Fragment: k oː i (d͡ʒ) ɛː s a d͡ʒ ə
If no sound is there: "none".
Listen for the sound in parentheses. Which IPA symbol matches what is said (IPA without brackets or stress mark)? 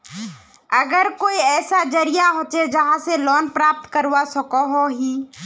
none